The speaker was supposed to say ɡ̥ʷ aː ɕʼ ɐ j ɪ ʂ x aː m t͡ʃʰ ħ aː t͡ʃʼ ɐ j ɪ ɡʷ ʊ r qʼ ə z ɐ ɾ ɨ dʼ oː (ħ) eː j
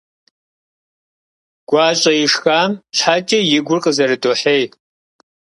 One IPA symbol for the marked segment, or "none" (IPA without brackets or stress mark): ħ